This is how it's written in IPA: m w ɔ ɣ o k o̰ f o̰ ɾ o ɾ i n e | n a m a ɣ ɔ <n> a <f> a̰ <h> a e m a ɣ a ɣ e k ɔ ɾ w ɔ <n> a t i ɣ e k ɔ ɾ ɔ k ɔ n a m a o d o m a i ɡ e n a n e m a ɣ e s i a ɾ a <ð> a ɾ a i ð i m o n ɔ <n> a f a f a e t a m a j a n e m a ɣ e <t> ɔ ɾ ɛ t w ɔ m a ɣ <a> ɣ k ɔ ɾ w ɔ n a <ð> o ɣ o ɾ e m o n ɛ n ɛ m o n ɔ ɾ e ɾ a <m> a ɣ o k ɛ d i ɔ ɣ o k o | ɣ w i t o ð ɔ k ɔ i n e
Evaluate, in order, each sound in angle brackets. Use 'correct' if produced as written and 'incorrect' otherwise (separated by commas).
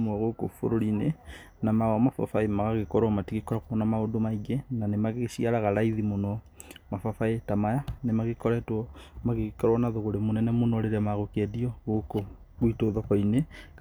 incorrect, correct, incorrect, incorrect, incorrect, incorrect, incorrect, incorrect, correct, correct